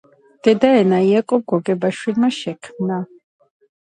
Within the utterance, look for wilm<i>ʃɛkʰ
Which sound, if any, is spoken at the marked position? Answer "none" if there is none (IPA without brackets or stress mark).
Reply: a